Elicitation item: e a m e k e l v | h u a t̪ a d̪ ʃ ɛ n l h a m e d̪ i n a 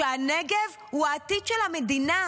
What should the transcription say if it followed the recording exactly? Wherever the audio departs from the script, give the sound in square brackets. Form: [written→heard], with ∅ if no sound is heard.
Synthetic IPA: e a [m→n] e [k→ɡ] e [l→∅] v | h u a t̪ [a→i] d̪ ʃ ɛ [n→∅] l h a m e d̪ i n a